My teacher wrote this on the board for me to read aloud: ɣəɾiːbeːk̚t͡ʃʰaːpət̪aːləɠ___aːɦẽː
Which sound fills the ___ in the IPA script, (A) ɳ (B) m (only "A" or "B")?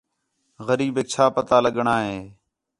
A